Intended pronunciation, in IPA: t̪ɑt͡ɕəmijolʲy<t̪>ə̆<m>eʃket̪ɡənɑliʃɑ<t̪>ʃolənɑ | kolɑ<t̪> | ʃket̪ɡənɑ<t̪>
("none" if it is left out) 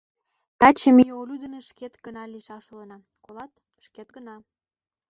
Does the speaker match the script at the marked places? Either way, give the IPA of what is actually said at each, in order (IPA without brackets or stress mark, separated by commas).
d̪, n, none, t̪, none